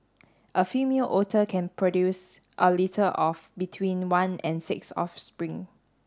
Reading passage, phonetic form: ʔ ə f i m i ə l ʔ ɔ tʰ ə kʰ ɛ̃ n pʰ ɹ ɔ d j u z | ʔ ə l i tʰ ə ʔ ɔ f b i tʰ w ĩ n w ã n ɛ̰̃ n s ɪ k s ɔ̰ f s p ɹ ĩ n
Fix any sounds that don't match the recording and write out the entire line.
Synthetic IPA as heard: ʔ ə f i m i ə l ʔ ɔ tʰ ə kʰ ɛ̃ n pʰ ɹ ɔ d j u s | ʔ ə l i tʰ ə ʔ ɔ f b i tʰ w ĩ n w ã n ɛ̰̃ n s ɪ k s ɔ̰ f s p ɹ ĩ ŋ

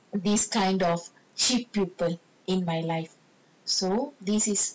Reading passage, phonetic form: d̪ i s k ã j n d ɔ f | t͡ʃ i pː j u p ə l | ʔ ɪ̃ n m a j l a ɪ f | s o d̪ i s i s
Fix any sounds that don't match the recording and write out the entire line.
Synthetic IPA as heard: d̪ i s k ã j n d ɔ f | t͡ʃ i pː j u p ə l | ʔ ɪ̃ n m a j l a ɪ f | s o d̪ i s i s

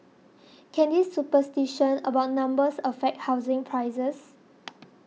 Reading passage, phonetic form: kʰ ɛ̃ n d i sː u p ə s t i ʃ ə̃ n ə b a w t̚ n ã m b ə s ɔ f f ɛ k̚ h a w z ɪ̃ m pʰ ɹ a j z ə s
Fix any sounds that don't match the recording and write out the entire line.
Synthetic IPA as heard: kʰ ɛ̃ n d i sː u p ə s t i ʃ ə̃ n ə b a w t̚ n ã m b ə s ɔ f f ɛ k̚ h a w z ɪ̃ ŋ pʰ ɹ a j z ə s

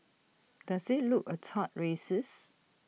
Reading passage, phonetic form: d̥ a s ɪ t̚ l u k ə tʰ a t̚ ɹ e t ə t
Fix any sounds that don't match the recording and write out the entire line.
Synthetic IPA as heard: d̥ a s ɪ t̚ l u k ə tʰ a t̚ ɹ e s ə s

